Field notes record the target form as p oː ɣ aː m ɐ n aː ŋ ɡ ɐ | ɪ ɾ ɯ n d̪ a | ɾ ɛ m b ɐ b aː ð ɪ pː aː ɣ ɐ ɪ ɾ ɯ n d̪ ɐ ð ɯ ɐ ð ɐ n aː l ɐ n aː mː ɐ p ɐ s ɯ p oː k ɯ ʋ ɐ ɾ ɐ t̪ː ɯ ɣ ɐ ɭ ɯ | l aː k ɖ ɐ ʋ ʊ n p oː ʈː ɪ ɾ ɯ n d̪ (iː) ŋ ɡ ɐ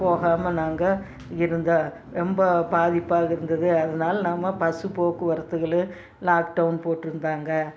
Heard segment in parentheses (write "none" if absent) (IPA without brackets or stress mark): aː